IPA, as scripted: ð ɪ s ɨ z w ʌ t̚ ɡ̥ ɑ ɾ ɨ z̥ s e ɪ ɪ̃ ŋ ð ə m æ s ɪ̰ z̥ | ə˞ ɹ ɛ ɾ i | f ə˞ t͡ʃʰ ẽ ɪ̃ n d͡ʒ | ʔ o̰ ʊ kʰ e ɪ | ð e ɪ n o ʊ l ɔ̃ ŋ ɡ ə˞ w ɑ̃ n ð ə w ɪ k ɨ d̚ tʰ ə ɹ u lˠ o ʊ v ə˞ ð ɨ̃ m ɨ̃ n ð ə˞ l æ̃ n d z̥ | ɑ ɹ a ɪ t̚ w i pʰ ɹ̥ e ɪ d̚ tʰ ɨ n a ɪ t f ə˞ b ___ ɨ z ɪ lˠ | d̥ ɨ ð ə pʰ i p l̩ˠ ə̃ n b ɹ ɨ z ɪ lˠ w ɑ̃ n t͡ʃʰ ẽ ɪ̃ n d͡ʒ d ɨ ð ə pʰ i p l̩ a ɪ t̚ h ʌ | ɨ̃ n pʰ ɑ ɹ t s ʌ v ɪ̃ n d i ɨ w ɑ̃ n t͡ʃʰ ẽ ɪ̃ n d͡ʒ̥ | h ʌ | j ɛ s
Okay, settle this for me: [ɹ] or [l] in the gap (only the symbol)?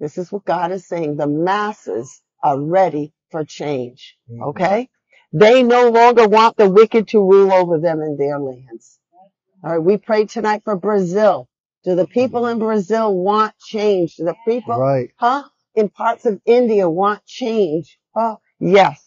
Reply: ɹ